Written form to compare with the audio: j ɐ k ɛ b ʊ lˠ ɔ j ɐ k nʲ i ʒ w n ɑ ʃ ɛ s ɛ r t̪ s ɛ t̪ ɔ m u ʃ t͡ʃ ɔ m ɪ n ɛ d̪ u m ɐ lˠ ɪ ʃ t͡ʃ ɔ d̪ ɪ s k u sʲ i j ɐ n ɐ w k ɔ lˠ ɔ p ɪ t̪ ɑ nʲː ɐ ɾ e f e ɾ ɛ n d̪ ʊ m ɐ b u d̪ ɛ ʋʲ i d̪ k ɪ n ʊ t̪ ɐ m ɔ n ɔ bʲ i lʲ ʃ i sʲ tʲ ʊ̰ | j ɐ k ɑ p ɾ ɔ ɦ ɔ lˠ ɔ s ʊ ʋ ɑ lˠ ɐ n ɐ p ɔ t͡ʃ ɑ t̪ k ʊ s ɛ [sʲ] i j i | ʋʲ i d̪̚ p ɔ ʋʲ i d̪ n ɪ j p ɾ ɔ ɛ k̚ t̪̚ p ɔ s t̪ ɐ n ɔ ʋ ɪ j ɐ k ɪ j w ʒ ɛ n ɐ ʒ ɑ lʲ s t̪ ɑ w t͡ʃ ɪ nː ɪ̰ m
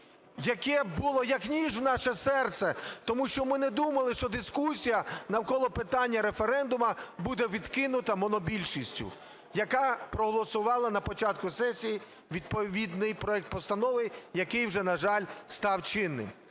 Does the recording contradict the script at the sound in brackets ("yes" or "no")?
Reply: no